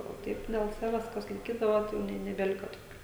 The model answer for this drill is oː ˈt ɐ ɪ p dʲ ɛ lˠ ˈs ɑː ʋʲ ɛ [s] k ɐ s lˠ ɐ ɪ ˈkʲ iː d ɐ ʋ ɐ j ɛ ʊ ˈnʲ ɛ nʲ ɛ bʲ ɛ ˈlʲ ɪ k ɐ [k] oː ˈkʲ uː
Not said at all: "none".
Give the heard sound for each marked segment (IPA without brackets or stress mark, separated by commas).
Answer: s, t